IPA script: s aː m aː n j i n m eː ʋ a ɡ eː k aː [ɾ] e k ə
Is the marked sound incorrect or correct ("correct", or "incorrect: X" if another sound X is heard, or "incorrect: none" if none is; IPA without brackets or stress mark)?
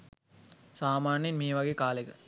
incorrect: l